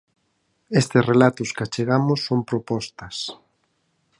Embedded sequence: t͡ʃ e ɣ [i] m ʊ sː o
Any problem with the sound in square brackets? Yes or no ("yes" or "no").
yes